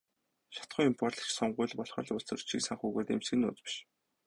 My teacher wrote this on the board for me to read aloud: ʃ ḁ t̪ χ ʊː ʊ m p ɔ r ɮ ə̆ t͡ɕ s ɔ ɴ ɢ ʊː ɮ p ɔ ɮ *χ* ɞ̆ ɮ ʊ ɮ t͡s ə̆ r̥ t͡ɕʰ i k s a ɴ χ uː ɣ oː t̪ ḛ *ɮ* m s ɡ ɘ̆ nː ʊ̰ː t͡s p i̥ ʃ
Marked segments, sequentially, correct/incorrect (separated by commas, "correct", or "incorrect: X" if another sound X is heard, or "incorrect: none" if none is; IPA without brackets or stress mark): correct, incorrect: none